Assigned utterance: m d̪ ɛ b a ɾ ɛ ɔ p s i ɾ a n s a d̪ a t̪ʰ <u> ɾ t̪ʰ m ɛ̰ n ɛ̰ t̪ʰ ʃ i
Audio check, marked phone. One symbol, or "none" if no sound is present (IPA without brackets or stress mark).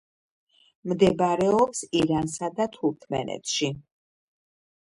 u